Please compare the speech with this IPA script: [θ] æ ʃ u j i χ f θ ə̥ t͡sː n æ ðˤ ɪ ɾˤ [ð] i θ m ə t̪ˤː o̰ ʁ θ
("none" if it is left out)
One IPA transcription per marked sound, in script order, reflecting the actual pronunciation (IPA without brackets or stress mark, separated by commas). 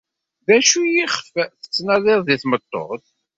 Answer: ð, ð